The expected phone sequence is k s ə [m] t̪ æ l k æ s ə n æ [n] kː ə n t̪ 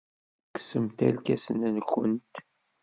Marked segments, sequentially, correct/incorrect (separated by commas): correct, correct